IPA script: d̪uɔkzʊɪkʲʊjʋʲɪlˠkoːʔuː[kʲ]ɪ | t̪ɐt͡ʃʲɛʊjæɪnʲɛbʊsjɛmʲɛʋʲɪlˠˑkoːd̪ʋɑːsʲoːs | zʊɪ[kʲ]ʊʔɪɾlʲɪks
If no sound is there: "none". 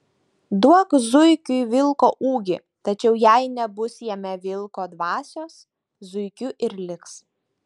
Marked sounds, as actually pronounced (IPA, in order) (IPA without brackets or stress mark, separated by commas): ɡʲ, kʲ